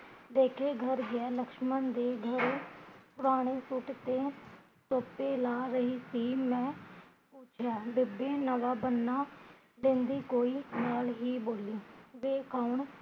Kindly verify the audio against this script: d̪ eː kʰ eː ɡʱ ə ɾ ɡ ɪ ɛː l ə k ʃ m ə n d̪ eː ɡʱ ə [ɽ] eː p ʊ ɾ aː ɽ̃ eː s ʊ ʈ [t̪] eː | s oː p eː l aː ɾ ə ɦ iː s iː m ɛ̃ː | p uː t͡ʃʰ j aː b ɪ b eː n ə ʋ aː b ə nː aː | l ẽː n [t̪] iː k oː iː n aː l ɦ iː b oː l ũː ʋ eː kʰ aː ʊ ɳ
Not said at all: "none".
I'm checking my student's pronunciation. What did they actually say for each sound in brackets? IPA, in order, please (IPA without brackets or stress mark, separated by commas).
ɾ, t̪, d̪